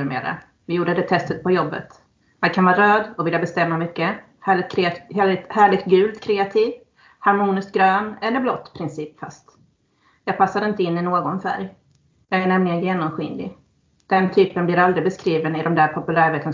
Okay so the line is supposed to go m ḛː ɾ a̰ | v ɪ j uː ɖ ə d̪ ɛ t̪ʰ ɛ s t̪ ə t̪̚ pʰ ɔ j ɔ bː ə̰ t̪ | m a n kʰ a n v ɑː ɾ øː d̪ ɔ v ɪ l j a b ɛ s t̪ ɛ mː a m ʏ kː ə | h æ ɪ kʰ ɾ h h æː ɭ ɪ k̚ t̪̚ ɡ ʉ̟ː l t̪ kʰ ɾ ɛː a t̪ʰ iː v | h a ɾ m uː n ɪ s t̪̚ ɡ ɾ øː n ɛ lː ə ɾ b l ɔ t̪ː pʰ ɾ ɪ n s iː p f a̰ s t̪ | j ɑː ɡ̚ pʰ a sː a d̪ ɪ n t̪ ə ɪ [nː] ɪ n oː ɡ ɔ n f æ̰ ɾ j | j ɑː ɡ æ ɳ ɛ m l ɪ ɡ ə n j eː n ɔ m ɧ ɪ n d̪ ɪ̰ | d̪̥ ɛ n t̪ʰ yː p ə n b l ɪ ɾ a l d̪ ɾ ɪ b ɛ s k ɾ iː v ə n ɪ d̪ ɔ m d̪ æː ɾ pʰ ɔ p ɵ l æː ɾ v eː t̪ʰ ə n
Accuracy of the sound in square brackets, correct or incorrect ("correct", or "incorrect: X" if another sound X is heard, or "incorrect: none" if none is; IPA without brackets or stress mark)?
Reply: correct